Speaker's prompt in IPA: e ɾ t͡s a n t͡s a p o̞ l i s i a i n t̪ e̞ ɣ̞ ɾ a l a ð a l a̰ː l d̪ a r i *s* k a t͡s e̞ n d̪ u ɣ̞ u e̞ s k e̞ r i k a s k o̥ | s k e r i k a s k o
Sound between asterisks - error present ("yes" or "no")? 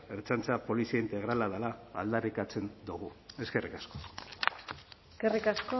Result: yes